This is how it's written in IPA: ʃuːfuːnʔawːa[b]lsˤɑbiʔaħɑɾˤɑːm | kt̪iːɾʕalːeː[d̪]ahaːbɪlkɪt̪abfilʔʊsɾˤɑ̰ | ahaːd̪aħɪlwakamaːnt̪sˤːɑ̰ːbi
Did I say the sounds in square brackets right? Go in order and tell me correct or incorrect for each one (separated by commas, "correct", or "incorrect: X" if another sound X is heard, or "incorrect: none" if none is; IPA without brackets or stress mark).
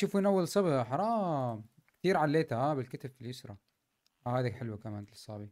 incorrect: none, incorrect: t̪